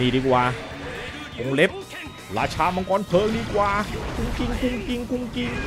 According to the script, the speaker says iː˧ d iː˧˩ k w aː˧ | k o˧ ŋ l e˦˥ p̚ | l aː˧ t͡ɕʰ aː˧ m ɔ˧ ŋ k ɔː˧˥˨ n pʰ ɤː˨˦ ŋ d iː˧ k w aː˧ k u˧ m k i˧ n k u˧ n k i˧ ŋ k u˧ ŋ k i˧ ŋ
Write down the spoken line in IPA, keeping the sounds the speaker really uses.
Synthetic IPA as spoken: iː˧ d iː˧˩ k w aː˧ | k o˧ ŋ l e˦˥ p̚ | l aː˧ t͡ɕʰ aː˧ m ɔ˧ ŋ k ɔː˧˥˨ n pʰ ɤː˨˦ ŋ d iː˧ k w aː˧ k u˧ ŋ k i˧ ŋ k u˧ ŋ k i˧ ŋ k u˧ ŋ k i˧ ŋ